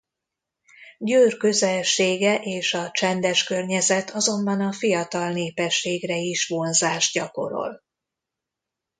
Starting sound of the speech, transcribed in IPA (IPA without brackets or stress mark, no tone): ɟ